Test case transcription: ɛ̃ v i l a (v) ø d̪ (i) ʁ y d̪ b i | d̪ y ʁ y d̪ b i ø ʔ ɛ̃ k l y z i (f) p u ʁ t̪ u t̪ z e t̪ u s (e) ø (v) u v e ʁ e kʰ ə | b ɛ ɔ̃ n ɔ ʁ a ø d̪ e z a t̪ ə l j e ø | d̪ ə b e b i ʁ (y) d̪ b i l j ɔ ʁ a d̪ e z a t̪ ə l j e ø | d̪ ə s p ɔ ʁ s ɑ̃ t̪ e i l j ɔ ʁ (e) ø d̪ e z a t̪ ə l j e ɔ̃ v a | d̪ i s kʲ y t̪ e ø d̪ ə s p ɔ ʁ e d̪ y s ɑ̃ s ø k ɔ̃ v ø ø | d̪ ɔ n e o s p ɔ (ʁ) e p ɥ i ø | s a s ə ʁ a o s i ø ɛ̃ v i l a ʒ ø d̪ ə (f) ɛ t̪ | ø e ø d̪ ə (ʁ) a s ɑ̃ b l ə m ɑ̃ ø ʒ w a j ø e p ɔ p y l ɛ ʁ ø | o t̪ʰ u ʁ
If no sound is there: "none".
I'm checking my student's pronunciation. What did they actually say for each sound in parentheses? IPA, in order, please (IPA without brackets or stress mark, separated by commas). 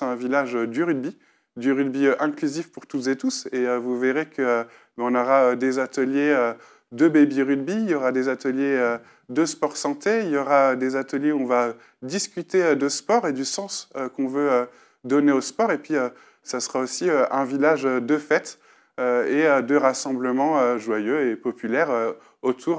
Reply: ʒ, y, f, e, v, y, a, ʁ, f, ʁ